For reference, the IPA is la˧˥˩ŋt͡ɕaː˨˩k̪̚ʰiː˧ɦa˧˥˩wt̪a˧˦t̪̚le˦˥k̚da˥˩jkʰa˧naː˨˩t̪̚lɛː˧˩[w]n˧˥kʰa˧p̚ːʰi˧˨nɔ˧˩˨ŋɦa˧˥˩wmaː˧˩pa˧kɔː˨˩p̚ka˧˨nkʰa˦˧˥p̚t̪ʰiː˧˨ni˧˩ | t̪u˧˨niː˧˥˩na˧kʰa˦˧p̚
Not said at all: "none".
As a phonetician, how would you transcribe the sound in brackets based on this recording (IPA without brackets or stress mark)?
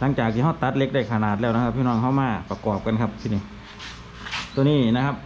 w